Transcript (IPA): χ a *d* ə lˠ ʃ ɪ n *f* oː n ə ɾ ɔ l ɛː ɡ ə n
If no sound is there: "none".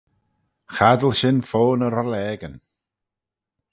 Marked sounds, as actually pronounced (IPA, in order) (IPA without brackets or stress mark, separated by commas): d, f